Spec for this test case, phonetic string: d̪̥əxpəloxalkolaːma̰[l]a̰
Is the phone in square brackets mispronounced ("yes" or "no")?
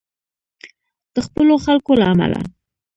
no